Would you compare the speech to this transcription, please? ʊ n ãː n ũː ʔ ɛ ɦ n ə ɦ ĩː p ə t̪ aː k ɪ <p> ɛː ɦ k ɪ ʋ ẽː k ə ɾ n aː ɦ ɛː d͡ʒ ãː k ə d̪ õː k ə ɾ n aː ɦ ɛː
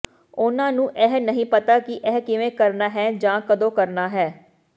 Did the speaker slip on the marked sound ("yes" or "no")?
yes